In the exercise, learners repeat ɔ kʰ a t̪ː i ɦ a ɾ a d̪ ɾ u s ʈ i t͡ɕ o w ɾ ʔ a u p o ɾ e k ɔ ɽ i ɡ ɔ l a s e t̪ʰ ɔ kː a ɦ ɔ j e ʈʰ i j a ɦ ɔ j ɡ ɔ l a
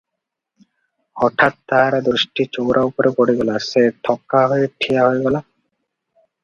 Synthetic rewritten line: ɔ ʈʰ a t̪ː a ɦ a ɾ a d̪ ɾ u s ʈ i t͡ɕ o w ɾ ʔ a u p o ɾ e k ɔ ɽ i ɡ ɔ l a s e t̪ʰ ɔ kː a ɦ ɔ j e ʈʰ i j a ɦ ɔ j ɡ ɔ l a